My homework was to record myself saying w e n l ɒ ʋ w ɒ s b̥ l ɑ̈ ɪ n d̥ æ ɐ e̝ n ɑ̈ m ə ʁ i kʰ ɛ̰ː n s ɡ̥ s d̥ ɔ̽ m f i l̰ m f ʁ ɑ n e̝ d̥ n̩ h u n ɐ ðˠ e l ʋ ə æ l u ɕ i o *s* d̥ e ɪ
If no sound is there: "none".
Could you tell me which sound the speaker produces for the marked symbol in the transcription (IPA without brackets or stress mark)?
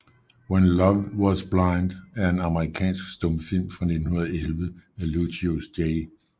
s